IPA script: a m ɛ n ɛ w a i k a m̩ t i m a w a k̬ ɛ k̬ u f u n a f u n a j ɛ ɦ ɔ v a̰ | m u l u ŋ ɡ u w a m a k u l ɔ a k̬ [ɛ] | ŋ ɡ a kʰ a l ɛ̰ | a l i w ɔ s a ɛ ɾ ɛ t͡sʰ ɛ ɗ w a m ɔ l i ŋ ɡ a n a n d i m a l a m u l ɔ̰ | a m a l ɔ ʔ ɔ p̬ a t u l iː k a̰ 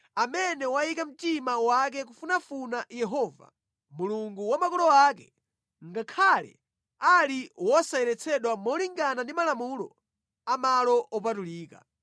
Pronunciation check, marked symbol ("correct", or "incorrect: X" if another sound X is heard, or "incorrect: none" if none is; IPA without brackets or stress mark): correct